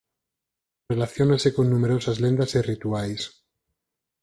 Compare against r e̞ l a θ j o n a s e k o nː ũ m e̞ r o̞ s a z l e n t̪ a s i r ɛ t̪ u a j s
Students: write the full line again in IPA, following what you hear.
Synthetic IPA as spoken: r e̞ l a θ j o n a s e k o nː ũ m e̞ ɾ o̞ s a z l e n d̪ a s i r i t̪ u a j s